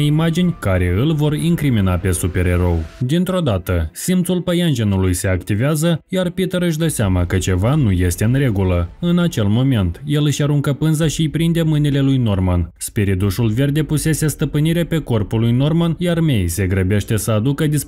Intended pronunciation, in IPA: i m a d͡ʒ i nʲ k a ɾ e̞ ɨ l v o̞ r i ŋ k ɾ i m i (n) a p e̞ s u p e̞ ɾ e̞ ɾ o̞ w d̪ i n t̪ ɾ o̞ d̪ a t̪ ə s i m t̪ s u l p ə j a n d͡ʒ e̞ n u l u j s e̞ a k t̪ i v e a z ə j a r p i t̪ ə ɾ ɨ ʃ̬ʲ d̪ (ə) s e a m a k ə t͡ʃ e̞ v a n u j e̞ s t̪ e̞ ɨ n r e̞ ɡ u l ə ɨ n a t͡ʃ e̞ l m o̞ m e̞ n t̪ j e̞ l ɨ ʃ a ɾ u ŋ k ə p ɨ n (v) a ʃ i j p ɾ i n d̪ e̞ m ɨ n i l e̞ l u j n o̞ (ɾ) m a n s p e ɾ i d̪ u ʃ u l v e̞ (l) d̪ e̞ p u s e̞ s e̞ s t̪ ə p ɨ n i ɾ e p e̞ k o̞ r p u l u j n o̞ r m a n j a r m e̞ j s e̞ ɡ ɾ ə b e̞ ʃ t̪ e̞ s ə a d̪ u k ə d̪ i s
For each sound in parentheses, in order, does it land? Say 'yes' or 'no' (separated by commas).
yes, yes, no, no, no